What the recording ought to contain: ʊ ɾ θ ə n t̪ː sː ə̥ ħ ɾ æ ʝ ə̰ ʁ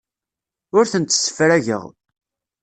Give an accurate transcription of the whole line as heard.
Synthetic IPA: ʊ ɾ θ ə n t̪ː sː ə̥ f ɾ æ ʝ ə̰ ʁ